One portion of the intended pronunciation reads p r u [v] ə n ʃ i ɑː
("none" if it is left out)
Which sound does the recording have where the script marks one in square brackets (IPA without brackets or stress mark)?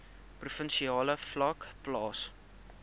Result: f